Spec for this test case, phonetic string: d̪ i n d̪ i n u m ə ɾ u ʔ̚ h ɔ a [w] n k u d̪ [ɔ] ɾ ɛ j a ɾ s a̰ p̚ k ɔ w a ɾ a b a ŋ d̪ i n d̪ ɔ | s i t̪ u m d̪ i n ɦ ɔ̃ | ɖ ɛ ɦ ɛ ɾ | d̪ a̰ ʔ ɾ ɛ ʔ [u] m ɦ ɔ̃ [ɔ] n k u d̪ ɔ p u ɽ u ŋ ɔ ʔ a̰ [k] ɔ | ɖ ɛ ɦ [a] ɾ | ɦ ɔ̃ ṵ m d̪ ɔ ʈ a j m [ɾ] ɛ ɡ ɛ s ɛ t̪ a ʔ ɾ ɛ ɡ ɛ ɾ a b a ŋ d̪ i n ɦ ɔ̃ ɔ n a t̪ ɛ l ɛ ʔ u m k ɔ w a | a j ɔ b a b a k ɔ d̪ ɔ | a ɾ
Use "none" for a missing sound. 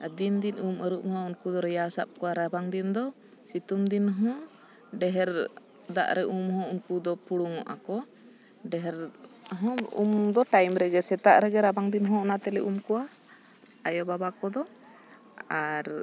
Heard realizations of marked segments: u, ɔ, u, u, k, ɛ, ɾ

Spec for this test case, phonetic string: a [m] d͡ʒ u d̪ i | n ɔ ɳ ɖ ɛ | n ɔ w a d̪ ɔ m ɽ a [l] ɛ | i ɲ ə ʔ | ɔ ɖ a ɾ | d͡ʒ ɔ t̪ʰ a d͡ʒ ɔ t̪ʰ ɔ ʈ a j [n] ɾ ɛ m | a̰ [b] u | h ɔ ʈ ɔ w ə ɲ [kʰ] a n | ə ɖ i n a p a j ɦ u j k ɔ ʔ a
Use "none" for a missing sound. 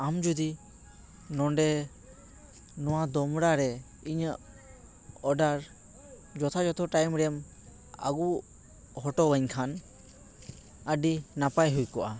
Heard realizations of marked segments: m, ɾ, m, ɡ, kʰ

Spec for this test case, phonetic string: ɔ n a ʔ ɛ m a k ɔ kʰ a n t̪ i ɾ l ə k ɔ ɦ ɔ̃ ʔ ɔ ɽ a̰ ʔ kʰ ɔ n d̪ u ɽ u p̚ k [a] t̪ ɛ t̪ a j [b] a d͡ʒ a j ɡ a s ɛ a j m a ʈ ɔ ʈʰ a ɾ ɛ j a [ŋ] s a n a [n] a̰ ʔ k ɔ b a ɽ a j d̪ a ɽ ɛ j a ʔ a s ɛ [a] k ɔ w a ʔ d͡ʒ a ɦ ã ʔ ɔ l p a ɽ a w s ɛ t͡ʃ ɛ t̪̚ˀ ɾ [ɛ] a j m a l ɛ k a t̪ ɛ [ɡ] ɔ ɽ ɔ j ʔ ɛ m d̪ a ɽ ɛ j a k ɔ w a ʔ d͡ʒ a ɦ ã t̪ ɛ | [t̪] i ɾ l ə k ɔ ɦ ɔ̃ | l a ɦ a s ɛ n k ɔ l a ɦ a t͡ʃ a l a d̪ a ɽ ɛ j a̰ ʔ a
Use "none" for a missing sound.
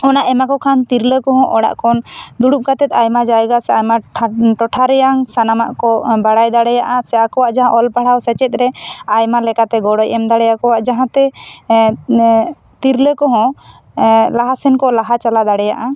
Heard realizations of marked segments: a, m, ŋ, m, a, ɛ, ɡ, t̪

